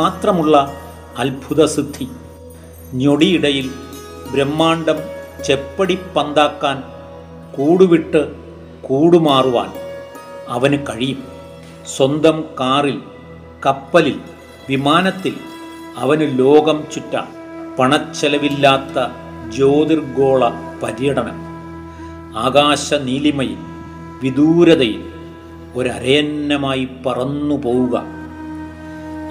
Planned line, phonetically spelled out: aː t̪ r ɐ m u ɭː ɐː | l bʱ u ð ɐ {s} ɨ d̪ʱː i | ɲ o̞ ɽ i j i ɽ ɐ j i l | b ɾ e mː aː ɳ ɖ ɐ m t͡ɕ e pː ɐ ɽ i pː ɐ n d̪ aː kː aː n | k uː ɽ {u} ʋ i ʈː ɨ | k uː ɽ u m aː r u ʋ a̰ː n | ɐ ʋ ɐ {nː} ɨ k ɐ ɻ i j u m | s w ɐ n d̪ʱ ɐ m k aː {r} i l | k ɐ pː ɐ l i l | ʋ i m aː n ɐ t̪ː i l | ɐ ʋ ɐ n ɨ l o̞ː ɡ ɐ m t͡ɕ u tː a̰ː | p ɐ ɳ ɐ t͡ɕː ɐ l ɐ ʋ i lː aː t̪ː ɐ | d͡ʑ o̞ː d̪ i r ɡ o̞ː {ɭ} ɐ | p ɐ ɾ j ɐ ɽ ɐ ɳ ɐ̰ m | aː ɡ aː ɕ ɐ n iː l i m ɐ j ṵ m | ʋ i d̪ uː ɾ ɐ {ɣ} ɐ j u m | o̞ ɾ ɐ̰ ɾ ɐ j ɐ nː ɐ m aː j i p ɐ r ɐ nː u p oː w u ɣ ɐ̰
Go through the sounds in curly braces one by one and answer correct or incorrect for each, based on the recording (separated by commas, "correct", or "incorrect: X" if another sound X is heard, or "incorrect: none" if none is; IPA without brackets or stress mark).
correct, correct, incorrect: n, correct, correct, incorrect: ð